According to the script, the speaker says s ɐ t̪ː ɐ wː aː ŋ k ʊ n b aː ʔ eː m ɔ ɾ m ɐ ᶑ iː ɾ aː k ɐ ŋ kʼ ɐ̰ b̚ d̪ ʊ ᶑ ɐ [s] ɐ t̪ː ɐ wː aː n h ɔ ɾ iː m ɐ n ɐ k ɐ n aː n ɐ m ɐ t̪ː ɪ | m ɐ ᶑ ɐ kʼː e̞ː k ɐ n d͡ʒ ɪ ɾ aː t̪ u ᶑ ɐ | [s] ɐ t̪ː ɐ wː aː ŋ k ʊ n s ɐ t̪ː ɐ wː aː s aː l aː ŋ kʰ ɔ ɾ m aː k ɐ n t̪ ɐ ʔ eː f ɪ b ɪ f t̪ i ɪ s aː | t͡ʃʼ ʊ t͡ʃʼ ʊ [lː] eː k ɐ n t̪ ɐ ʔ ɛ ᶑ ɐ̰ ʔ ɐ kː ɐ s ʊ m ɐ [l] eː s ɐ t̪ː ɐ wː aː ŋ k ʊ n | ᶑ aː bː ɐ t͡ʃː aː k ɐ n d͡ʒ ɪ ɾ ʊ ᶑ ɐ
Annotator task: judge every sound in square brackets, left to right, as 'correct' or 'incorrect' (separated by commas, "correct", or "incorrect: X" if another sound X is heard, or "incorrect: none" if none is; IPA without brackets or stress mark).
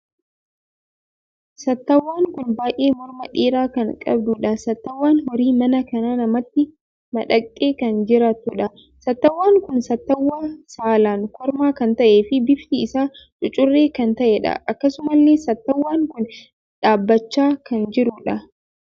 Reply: correct, correct, incorrect: rː, incorrect: lː